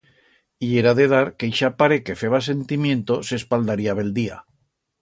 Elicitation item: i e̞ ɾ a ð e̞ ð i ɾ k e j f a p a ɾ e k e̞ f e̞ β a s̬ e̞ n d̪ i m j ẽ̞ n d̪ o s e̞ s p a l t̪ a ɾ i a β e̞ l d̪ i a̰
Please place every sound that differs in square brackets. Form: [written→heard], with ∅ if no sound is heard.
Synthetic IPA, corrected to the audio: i e̞ ɾ a ð e̞ ð [i→a] ɾ k e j [f→ʃ] a p a ɾ e k e̞ f e̞ β a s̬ e̞ n [d̪→t̪] i m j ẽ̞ n [d̪→t̪] o s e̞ s p a l [t̪→d̪] a ɾ i a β e̞ l d̪ i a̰